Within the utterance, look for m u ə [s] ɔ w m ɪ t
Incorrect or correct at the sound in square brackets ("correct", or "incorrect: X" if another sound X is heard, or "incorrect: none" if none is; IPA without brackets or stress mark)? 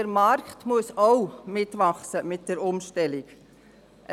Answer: correct